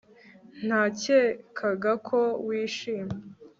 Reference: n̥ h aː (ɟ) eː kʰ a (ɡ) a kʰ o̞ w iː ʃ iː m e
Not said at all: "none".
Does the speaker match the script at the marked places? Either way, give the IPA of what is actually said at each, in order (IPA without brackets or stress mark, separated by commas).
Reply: c, ɡ